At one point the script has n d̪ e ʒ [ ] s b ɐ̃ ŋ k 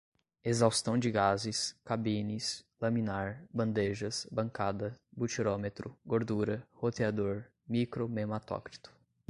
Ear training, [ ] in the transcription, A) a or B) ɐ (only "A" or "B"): B